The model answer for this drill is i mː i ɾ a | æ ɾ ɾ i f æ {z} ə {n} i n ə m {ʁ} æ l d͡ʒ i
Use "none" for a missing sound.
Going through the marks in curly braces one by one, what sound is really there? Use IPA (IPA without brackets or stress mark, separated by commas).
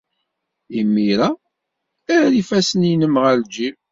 s, n, ʁ